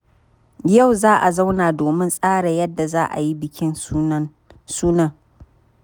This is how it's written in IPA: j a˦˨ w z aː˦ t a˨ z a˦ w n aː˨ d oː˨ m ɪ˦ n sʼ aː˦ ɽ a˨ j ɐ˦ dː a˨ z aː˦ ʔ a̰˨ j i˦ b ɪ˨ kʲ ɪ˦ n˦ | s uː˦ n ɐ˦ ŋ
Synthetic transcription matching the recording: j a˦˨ w z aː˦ ʔ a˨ z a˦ w n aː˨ d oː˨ m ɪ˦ n sʼ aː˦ ɽ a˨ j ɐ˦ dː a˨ z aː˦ ʔ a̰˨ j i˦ b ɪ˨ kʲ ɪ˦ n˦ | s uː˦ n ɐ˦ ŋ